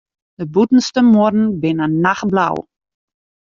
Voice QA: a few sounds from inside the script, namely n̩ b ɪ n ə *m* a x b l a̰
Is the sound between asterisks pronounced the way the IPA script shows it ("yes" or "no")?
no